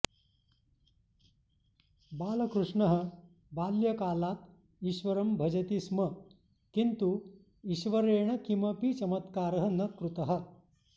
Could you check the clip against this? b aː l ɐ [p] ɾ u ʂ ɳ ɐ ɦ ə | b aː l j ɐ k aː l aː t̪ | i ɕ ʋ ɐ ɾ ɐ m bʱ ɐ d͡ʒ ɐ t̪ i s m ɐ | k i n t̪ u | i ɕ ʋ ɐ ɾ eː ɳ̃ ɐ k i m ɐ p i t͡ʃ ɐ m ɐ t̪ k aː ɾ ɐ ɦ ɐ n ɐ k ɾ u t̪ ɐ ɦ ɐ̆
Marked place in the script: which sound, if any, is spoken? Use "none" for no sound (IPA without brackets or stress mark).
k